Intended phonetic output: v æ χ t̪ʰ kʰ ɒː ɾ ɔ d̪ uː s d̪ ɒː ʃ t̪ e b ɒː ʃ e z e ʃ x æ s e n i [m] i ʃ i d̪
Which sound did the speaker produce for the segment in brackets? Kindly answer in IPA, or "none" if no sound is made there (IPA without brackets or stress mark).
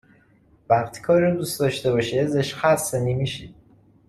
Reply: m